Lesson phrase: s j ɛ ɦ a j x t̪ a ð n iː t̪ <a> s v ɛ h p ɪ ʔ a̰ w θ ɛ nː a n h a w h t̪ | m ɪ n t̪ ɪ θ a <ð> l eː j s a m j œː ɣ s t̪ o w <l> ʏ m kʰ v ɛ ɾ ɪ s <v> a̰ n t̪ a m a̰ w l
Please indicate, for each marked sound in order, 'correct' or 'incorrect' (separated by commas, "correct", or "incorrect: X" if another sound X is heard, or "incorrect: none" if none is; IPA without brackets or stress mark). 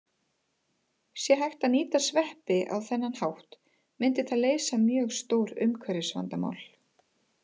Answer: correct, correct, incorrect: ɾ, correct